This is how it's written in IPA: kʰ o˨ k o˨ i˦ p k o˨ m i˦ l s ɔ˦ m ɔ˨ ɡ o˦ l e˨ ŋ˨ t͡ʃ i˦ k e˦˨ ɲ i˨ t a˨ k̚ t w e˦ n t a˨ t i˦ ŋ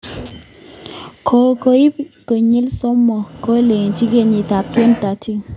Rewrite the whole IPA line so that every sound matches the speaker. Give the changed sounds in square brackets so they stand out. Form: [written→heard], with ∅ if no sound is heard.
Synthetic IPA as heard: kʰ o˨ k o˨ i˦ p k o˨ [m→ɲ] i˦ l s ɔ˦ m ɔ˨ [ɡ→k] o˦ l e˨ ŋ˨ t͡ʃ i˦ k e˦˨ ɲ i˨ t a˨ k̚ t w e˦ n t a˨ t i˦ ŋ